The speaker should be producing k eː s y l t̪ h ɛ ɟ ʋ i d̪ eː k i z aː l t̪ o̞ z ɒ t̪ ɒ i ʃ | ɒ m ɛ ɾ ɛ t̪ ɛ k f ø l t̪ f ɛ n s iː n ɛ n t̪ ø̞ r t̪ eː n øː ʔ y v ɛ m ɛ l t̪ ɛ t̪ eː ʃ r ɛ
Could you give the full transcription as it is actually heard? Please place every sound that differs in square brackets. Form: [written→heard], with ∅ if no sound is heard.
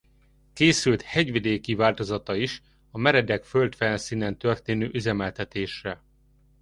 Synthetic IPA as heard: k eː s y l t̪ h ɛ ɟ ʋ i d̪ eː k i [z→v] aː l t̪ o̞ z ɒ t̪ ɒ i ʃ | ɒ m ɛ ɾ ɛ [t̪→d̪] ɛ k f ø l t̪ f ɛ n s iː n ɛ n t̪ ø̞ r t̪ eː n øː ʔ y [v→z] ɛ m ɛ l t̪ ɛ t̪ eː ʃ r ɛ